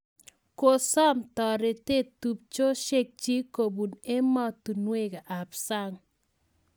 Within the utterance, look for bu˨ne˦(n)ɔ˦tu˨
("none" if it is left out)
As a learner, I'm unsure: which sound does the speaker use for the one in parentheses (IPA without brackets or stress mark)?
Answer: m